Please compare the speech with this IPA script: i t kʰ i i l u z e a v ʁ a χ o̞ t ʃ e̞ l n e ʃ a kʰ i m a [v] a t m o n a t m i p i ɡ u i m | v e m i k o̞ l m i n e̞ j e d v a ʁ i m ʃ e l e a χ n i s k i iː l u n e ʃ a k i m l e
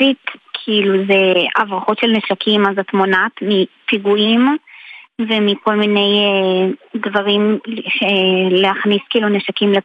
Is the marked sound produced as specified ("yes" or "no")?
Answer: no